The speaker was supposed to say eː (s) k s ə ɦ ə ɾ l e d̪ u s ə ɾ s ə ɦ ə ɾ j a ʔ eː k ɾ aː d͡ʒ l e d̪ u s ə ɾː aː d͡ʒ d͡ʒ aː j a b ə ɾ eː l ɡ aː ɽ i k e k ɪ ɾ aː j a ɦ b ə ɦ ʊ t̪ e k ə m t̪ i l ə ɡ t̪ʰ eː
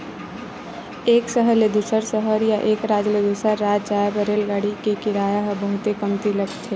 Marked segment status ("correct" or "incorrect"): incorrect